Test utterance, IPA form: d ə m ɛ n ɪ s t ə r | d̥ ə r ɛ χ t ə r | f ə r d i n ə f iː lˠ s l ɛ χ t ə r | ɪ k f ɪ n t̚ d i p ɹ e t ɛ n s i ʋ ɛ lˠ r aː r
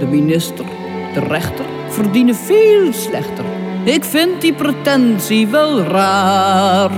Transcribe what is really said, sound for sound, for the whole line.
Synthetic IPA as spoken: d ə m i n ɪ s t ə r | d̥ ə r ɛ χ t ə r | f ə r d i n ə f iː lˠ s l ɛ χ t ə r | ɪ k f ɪ n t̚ d i p r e t ɛ n s i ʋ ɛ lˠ r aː r